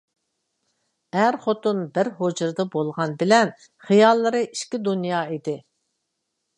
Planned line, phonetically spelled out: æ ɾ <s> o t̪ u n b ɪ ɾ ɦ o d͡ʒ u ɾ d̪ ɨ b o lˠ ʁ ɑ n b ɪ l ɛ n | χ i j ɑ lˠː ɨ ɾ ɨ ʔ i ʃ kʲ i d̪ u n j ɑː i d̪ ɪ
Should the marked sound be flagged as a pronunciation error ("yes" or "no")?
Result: yes